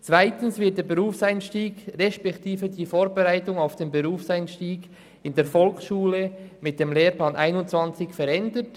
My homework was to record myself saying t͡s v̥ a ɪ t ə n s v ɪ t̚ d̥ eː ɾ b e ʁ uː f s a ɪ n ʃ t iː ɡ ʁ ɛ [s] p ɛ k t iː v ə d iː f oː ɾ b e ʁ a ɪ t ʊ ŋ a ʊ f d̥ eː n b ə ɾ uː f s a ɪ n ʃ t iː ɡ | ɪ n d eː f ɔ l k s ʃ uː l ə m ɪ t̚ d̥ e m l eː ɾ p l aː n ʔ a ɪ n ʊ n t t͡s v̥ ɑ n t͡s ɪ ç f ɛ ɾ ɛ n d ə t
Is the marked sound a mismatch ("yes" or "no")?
yes